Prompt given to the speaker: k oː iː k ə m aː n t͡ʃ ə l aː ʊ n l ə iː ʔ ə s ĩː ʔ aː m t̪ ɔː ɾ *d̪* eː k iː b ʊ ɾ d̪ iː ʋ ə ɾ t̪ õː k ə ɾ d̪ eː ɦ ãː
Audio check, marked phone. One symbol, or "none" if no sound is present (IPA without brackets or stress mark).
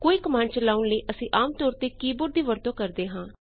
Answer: t̪